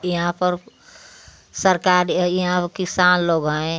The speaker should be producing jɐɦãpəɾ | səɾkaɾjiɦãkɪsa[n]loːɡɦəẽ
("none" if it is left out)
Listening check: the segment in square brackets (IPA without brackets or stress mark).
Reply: n